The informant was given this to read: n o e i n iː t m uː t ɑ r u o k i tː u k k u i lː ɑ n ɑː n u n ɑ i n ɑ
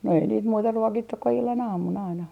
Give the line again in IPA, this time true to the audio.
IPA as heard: n o e i n iː t m uː t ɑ r u o k i tː u k k u i lː ɑ n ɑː m u n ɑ i n ɑ